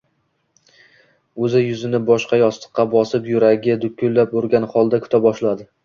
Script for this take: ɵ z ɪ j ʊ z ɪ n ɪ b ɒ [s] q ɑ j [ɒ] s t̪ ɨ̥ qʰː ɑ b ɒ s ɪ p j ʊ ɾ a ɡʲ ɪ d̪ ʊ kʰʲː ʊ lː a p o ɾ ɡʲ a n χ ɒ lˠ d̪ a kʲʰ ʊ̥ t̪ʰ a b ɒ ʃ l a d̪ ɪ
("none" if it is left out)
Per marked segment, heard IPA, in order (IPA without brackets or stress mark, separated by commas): ʃ, ɒ